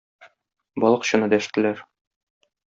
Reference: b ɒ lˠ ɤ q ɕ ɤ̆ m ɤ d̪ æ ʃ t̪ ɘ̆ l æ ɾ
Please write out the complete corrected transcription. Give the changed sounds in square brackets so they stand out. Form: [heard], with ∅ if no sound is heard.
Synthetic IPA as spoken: b ɒ lˠ ɤ q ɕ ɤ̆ [n] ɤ d̪ æ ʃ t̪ ɘ̆ l æ ɾ